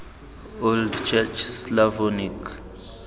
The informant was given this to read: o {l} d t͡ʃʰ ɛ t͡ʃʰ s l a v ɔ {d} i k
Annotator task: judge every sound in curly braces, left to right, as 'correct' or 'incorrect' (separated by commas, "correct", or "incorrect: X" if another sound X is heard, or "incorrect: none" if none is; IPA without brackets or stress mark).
correct, incorrect: n